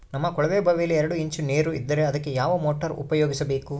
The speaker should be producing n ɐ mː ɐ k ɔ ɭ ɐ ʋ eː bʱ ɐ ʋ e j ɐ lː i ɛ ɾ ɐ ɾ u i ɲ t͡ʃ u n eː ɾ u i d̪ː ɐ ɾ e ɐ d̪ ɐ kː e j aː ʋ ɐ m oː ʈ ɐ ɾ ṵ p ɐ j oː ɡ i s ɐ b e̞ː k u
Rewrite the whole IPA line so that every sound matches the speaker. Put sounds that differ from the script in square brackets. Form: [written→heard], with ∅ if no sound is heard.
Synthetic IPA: n ɐ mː ɐ k ɔ ɭ ɐ ʋ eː bʱ ɐ ʋ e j ɐ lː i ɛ ɾ ɐ [ɾ→ɽ] u i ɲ t͡ʃ u n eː ɾ u i d̪ː ɐ ɾ e ɐ d̪ ɐ kː e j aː ʋ ɐ m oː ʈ ɐ ɾ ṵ p ɐ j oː ɡ i s ɐ b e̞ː k u